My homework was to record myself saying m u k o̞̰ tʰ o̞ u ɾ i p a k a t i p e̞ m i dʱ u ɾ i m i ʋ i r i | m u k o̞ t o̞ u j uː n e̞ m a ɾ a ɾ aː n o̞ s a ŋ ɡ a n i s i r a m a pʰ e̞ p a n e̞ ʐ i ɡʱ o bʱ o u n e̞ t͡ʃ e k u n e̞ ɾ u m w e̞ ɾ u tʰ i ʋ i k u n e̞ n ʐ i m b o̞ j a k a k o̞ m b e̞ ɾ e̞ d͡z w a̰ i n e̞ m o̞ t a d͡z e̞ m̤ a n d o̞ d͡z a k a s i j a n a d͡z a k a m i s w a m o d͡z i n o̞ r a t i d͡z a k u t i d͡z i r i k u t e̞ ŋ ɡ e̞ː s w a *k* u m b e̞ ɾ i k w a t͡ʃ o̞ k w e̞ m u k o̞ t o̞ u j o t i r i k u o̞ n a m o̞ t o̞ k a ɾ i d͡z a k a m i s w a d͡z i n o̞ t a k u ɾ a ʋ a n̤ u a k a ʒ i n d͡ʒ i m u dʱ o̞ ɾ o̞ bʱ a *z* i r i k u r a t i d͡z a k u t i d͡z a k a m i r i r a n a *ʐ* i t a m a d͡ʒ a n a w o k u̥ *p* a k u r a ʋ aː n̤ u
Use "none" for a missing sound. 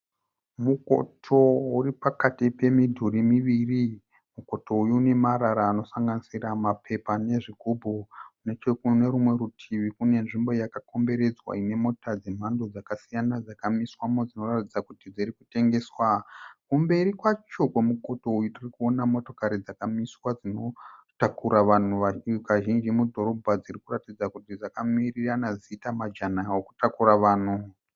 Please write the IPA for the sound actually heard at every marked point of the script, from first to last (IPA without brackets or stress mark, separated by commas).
k, d͡z, z, t